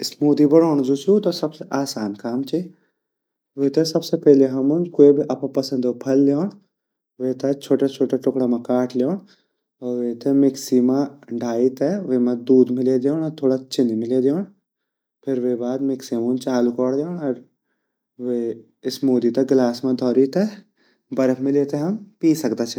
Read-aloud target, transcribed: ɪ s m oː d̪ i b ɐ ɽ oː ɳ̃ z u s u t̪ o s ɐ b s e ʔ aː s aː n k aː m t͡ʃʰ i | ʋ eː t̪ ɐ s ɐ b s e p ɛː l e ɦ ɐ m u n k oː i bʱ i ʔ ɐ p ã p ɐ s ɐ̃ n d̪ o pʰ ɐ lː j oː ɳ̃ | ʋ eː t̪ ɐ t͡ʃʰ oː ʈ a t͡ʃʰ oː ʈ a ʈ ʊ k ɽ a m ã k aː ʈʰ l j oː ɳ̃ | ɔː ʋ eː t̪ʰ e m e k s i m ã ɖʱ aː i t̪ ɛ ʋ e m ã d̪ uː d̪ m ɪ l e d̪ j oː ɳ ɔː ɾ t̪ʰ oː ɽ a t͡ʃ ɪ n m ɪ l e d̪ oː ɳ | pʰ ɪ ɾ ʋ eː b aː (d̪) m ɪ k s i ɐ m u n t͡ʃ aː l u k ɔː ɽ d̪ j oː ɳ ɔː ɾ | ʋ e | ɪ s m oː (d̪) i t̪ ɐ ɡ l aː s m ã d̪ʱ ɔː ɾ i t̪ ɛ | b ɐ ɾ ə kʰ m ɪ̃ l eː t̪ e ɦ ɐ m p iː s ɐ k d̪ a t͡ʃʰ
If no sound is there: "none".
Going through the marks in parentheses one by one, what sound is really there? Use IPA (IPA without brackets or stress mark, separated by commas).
d̪, d̪